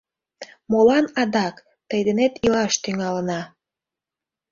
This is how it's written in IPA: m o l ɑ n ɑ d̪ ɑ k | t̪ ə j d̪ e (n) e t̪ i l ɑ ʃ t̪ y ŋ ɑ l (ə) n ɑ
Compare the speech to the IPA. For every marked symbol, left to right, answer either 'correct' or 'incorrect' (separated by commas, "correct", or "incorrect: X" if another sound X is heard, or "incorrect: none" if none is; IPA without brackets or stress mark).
correct, correct